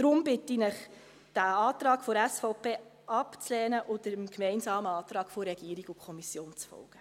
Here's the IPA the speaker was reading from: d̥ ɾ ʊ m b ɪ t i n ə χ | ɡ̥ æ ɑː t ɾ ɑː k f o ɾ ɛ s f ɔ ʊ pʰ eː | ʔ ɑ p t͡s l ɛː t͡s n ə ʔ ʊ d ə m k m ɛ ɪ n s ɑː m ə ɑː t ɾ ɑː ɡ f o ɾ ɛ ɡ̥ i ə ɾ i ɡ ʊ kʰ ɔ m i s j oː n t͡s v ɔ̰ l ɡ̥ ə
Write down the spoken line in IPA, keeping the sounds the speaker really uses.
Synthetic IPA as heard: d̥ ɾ ʊ m b ɪ t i n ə χ | d̥ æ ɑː t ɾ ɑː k f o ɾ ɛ s f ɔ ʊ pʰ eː | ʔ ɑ p t͡s l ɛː n ə ʔ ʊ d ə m k m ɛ ɪ n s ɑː m ə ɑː t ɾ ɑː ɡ f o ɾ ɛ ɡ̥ i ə ɾ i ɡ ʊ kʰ ɔ m i s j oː n t͡s f ɔ̰ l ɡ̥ ə